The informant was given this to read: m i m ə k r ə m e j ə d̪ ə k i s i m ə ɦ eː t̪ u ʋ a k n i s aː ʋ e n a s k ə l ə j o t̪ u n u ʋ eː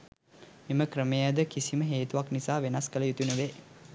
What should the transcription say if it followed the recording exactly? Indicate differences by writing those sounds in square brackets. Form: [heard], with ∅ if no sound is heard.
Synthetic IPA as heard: m i m ə k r ə m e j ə d̪ ə k i s i m ə ɦ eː t̪ u ʋ a k n i s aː ʋ e n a s k ə l ə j [u] t̪ u n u ʋ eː

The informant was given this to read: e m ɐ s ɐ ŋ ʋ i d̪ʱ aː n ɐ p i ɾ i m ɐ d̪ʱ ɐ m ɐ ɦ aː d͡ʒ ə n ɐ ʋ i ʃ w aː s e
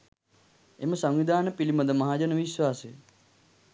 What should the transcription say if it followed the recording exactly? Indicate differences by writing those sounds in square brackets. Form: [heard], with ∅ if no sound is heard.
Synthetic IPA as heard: e m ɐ s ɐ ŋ ʋ i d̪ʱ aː n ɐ p i [l] i m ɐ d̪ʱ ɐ m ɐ ɦ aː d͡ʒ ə n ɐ ʋ i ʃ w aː s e

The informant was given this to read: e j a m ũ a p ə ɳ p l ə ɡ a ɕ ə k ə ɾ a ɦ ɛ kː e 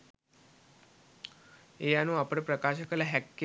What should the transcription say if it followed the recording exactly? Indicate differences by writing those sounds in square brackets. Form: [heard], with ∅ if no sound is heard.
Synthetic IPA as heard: e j a [n] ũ a p ə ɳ p [ɾ] ə [k] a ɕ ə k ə [l] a ɦ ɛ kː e

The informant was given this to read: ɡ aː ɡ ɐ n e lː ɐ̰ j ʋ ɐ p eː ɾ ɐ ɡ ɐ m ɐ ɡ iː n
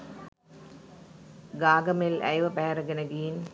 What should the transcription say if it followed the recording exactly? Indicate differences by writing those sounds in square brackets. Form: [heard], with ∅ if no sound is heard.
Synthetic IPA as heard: ɡ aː ɡ ɐ [m] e [l] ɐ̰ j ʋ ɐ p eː ɾ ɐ ɡ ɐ [n] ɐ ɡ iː n

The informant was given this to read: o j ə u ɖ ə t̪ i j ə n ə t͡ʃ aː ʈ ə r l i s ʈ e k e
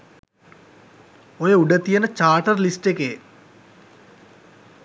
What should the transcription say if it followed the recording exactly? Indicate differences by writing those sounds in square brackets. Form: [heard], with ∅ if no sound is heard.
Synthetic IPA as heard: o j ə u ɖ ə t̪ i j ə n ə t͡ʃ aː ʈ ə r l i s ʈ e k e

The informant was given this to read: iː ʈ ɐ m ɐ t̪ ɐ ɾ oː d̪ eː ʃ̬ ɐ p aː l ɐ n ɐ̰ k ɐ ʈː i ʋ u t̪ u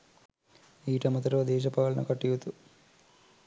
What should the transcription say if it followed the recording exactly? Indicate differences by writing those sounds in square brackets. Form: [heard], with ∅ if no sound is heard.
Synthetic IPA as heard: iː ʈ ɐ m ɐ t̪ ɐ ɾ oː d̪ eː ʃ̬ ɐ p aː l ɐ n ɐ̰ k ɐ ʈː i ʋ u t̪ u

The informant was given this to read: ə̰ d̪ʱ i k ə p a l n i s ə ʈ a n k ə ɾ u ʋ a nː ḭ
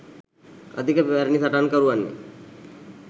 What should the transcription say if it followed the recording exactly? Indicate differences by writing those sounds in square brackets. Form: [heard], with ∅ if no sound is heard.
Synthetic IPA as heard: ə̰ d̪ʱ i k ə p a [ɾ] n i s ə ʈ a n k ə ɾ u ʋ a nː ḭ

